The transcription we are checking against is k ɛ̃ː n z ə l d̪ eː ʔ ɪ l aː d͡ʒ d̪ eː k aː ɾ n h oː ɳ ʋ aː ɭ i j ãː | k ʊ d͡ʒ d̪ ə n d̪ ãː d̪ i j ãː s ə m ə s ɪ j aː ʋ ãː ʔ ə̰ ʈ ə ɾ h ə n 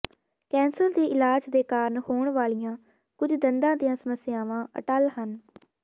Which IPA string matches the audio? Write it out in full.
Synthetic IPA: k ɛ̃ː n s ə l d̪ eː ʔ ɪ l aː d͡ʒ d̪ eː k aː ɾ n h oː ɳ ʋ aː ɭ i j ãː | k ʊ d͡ʒ d̪ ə n d̪ ãː d̪ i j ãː s ə m ə s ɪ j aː ʋ ãː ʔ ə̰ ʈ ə l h ə n